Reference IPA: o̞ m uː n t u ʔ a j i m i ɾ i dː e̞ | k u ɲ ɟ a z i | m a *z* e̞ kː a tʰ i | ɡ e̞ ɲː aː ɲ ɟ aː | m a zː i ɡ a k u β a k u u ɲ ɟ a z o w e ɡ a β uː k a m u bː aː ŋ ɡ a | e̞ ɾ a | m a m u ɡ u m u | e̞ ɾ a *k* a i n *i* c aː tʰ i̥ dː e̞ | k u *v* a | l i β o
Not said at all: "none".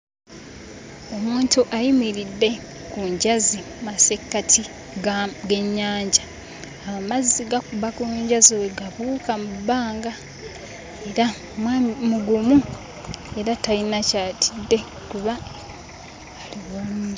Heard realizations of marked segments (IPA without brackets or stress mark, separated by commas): s, t, a, β